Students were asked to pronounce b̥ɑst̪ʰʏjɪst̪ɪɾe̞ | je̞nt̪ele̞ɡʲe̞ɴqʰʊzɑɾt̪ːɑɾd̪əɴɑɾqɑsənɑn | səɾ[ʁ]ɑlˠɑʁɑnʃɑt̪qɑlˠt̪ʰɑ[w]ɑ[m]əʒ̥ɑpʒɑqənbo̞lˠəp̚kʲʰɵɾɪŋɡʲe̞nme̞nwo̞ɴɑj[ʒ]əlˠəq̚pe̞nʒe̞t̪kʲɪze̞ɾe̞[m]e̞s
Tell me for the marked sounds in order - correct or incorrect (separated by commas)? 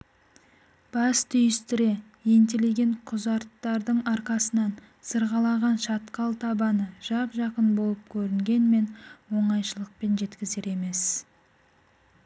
correct, incorrect, incorrect, incorrect, correct